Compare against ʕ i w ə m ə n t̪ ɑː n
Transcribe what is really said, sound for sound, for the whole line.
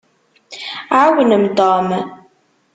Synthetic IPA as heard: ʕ a w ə n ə m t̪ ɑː m